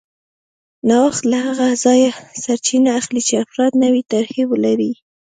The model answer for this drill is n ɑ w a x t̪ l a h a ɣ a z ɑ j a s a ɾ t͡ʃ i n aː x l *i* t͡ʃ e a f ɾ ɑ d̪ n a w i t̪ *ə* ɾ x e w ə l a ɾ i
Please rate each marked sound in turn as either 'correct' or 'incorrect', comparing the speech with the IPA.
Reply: correct, incorrect

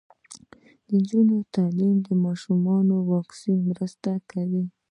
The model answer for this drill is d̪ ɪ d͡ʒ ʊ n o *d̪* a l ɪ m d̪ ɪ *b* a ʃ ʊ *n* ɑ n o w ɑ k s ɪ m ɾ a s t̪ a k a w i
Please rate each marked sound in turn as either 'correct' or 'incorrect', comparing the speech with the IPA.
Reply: incorrect, incorrect, incorrect

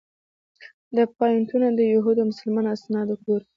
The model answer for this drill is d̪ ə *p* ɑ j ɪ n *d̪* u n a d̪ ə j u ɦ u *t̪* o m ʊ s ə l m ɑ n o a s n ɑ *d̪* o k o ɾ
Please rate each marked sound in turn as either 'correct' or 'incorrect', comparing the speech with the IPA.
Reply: correct, incorrect, incorrect, correct

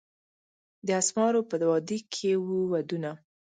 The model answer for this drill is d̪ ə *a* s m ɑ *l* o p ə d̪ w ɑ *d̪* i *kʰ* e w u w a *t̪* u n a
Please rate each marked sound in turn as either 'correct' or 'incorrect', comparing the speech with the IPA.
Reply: correct, incorrect, correct, correct, incorrect

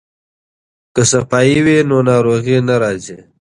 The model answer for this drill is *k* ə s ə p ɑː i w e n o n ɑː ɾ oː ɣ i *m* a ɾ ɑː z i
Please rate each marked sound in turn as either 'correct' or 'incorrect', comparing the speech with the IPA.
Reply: correct, incorrect

